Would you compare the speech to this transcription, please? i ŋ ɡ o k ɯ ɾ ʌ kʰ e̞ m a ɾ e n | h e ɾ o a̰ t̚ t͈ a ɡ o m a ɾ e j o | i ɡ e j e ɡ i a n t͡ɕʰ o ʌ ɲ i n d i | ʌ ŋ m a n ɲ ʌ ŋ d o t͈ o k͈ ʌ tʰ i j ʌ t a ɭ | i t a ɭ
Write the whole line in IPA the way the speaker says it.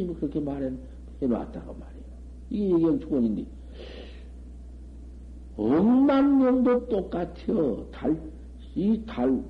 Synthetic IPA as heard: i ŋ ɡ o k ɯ ɾ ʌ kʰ e̞ m a ɾ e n | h e ɾ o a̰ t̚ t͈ a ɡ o m a ɾ e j o | i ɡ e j e ɡ i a n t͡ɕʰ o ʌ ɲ i n d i | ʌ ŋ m a n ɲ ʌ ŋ d o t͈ o k͈ a tʰ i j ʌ t a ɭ | i t a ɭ